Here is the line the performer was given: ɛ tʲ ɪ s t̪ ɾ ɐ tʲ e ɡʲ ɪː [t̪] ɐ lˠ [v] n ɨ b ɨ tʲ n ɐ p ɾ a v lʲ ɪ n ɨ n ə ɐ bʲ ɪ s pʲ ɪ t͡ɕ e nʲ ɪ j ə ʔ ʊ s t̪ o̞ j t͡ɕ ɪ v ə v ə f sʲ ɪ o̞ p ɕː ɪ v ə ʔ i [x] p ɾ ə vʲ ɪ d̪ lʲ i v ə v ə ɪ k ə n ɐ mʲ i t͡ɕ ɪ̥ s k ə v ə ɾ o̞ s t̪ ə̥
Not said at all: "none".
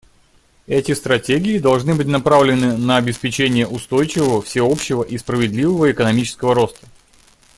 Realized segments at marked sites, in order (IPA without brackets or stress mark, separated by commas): d̪, ʐ, s